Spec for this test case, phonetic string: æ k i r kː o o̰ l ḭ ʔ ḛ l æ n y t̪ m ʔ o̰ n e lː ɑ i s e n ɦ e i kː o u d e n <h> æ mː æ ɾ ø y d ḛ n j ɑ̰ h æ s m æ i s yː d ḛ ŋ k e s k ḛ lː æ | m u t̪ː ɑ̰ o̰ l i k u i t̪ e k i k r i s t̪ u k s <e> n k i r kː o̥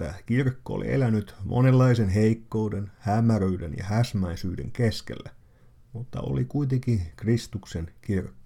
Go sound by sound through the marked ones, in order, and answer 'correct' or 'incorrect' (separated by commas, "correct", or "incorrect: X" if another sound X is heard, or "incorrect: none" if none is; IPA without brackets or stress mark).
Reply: correct, correct